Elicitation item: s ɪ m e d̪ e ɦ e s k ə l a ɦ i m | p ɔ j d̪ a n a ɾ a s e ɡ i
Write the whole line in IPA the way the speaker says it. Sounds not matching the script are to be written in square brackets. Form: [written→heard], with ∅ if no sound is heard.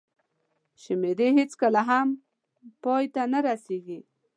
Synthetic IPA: [s→ʃ] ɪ m e d̪ e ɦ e [s→t͡s] k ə l a ɦ [i→a] m | p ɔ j [d̪→t̪] a n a ɾ a s e ɡ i